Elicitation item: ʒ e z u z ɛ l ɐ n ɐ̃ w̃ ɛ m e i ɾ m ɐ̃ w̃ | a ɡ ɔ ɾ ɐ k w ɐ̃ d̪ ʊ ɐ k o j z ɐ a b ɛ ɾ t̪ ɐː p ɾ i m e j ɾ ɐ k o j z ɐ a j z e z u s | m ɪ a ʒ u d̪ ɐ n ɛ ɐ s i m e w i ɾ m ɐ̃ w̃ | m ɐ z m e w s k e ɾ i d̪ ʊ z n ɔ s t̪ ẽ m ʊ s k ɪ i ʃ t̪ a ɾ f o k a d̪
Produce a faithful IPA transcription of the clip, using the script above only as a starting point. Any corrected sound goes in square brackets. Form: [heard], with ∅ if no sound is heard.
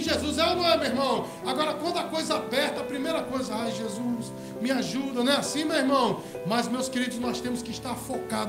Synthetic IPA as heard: ʒ e z u z ɛ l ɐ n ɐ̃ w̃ ɛ m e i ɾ m ɐ̃ w̃ | a ɡ ɔ ɾ ɐ k w ɐ̃ d̪ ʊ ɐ k o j z ɐ a b ɛ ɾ t̪ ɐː p ɾ i m e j ɾ ɐ k o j z ɐ a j [ʒ] e z u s | m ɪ a ʒ u d̪ ɐ n ɛ [a] s [ĩ] m e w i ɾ m ɐ̃ w̃ | m ɐ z m e w s k e ɾ i d̪ ʊ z n ɔ s t̪ ẽ m ʊ s k ɪ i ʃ t̪ a ɾ f o k a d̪